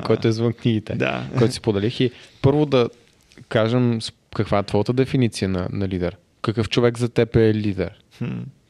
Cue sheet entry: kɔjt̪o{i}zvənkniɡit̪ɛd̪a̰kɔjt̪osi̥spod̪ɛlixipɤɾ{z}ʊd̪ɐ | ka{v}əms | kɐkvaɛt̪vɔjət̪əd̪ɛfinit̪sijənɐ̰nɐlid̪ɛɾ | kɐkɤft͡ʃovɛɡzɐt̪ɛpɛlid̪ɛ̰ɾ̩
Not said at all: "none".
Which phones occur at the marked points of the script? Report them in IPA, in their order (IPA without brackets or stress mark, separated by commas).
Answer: ɛ, v, ʒ